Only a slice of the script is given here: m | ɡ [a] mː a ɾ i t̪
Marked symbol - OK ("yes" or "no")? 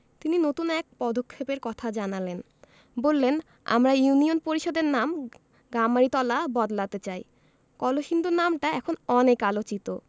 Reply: yes